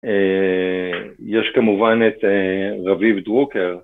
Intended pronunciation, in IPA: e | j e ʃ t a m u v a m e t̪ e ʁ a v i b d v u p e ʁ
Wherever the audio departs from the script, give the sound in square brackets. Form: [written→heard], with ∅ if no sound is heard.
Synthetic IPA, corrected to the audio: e | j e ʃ [t→k] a m u v a [m→n] e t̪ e ʁ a v i [b→v] d [v→ʁ] u [p→k] e ʁ